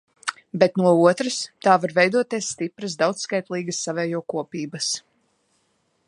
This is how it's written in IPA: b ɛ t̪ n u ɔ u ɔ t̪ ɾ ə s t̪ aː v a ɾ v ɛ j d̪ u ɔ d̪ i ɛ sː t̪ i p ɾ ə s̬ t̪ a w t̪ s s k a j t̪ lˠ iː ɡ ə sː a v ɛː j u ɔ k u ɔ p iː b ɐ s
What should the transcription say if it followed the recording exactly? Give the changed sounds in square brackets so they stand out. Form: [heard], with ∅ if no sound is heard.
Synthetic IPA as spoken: b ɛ t̪ n u ɔ u ɔ t̪ ɾ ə s t̪ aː v a ɾ v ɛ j d̪ u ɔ [t̪] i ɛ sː t̪ i p ɾ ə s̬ [d̪] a w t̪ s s k a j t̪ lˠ iː ɡ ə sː a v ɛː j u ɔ k u ɔ p iː b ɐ s